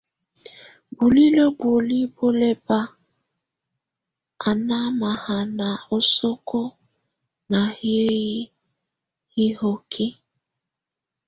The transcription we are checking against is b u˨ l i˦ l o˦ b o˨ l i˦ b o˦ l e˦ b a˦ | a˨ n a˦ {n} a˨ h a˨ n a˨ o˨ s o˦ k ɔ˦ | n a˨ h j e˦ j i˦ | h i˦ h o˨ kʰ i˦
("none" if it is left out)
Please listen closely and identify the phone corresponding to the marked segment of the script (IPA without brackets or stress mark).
m